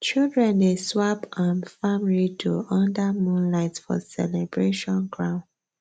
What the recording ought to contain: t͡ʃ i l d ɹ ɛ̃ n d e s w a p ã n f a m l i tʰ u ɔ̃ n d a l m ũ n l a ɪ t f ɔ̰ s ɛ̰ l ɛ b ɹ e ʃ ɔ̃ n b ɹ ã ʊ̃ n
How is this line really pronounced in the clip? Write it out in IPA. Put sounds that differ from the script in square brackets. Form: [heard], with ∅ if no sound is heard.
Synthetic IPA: t͡ʃ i l d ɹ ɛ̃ n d e s w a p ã n f a m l i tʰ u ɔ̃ n d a [∅] m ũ n l a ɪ t f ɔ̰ s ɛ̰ l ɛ b ɹ e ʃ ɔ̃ n [ɡ] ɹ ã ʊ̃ n